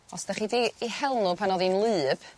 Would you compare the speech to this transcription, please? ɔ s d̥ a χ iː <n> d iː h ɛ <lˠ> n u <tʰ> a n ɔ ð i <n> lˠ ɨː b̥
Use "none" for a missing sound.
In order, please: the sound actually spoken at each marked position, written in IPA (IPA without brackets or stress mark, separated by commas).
none, lˠ, pʰ, n